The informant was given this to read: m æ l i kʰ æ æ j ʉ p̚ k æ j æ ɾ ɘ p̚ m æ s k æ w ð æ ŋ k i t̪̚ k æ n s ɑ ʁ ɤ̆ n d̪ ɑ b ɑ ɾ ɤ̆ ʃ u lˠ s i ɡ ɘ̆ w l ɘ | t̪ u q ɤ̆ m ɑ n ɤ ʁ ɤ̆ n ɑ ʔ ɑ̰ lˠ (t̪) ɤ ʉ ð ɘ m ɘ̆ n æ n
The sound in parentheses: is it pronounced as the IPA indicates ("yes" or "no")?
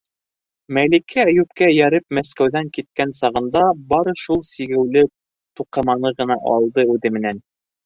no